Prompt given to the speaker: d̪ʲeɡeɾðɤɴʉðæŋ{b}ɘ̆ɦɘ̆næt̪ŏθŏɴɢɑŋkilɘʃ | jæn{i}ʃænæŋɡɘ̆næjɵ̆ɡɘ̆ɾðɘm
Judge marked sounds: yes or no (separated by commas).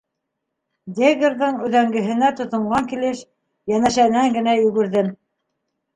no, no